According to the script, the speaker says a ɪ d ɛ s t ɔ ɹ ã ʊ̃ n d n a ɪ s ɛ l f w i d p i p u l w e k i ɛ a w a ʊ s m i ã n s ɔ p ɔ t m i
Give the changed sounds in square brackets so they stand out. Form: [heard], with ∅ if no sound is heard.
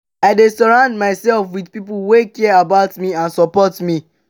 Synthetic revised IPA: a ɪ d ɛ s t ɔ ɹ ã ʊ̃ n d [m] a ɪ s ɛ l f w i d p i p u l w e k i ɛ a [b] a ʊ [t] m i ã n s ɔ p ɔ t m i